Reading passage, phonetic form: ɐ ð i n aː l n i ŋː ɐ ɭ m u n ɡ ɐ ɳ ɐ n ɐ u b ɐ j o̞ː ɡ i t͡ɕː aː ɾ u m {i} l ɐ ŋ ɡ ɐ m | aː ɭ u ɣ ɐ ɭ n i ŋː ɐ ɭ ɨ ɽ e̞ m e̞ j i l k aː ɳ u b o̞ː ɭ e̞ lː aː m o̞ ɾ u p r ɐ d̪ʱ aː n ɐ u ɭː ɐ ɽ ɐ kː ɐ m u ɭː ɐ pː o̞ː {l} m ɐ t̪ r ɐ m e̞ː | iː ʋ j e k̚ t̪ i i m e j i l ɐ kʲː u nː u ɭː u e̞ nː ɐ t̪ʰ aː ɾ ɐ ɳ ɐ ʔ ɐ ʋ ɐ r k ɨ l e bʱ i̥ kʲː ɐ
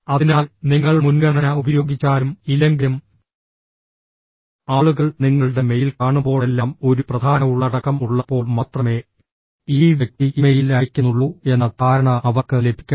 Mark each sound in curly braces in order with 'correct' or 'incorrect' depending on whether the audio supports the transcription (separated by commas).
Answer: correct, incorrect